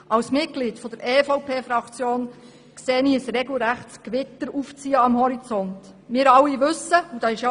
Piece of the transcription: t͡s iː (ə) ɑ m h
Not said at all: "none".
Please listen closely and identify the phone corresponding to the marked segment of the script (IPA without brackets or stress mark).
ə